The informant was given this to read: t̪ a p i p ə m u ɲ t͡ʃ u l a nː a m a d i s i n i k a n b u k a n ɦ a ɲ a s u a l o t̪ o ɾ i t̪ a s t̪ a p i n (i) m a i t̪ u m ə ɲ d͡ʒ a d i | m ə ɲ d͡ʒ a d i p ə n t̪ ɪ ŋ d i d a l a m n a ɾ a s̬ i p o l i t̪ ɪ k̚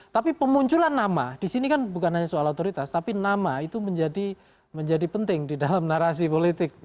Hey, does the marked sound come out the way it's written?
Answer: no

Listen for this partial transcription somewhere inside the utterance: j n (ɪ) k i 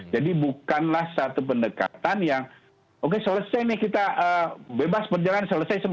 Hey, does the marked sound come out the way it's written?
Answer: yes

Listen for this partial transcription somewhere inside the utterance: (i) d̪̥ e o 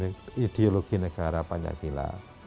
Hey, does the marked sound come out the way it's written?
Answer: yes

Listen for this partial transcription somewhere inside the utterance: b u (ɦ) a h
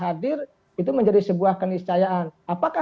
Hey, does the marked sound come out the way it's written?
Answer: no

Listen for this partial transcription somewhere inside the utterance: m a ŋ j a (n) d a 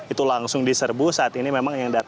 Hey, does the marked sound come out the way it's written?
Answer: no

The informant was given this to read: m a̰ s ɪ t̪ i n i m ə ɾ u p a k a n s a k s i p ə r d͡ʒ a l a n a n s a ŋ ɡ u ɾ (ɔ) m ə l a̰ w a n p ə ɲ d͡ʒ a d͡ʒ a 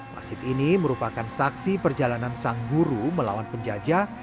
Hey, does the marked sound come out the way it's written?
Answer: no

